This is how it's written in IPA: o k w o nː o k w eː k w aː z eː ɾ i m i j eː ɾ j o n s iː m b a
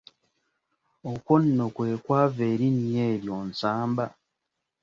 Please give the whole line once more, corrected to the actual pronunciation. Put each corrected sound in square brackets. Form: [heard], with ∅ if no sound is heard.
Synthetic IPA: o k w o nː o k w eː k w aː [v] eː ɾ i [n] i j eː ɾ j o n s [aː] m b a